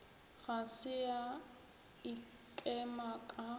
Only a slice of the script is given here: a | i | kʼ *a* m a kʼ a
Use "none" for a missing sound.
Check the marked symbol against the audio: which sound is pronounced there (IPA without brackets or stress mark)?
ɛ